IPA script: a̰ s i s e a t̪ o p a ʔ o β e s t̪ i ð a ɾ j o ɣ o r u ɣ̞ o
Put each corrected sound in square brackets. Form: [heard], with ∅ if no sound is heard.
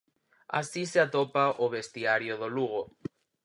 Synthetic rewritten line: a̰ s i s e a t̪ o p a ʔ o β e s t̪ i [∅] a ɾ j o [ð] o [l] u ɣ̞ o

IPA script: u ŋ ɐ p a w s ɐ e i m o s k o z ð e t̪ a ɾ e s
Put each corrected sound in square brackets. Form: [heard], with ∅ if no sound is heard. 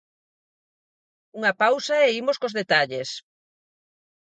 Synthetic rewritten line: u ŋ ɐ p a w s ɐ e i m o s k o z ð e t̪ a [ʎ] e s

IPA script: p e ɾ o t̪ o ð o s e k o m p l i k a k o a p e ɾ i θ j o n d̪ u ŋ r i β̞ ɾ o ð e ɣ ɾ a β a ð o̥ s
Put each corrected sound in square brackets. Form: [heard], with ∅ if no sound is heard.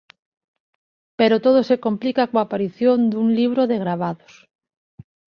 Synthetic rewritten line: p e ɾ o t̪ o ð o s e k o m p l i k a k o a p [a] ɾ i θ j o n d̪ u ŋ [l] i β̞ ɾ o ð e ɣ ɾ a β a ð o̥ s

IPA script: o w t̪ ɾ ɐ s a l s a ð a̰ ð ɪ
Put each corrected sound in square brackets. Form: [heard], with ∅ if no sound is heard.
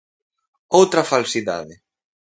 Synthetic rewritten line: o w t̪ ɾ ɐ [f] a l s [i] ð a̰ ð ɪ

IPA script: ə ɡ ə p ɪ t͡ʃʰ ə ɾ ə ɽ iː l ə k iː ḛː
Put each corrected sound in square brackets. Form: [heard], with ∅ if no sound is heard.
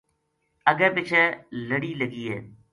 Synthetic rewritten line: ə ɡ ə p ɪ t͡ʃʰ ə [l] ə ɽ iː l ə [ɡ] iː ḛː

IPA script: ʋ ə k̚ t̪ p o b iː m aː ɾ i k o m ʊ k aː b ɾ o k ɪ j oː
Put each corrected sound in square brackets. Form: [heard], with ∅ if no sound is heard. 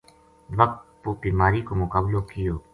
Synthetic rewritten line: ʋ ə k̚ t̪ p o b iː m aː ɾ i k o m ʊ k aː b [l] o k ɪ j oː

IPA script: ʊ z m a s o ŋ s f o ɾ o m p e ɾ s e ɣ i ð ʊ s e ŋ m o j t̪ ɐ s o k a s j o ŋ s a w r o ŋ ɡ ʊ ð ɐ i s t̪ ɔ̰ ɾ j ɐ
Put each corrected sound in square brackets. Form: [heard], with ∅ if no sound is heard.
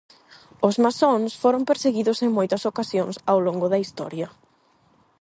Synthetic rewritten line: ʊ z m a s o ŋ s f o ɾ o m p e ɾ s e ɣ i ð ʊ s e ŋ m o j t̪ ɐ s o k a s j o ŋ s a w [l] o ŋ ɡ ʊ ð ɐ i s t̪ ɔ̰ ɾ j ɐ

